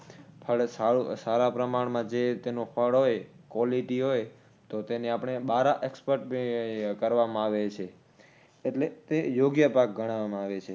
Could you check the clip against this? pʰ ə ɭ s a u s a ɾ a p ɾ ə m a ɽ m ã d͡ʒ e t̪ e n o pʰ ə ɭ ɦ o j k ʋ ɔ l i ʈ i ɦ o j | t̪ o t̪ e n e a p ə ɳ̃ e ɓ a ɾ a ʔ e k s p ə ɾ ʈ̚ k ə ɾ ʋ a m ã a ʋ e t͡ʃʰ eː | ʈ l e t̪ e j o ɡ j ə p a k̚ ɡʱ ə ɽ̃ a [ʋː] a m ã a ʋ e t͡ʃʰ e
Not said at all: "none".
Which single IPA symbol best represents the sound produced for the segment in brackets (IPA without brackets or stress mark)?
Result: ʋ